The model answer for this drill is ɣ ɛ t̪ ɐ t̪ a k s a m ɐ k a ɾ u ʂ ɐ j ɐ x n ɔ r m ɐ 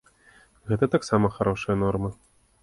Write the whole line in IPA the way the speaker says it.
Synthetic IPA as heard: ɣ ɛ t̪ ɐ t̪ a k s a m ɐ x a ɾ ɔ ʂ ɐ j ɐ n ɔ r m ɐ